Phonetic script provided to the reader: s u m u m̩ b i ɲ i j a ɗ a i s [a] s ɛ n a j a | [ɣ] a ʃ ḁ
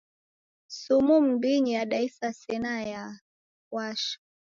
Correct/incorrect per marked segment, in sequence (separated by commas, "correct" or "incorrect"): correct, incorrect